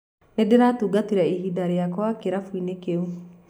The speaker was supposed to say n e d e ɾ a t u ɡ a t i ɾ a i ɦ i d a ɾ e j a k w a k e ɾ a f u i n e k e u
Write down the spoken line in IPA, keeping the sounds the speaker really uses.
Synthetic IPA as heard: n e d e ɾ a t u ɡ a t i ɾ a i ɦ i d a ɾ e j a k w a k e ɾ a f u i n e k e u